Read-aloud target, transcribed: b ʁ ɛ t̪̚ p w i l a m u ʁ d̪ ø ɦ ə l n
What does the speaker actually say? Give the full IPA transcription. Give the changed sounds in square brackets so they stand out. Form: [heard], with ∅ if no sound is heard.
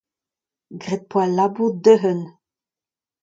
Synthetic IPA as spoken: [ɡ] ʁ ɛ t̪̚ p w [a] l a [b] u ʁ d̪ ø ɦ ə [∅] n